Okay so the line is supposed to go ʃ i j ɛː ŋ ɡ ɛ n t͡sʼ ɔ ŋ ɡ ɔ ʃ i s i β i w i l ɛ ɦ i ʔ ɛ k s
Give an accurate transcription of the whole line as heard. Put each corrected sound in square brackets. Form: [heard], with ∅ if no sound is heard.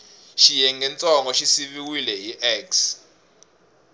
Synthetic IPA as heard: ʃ i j [ɛ] ŋ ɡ ɛ n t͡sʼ ɔ ŋ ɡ ɔ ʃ i s i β i w i l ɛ ɦ i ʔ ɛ k s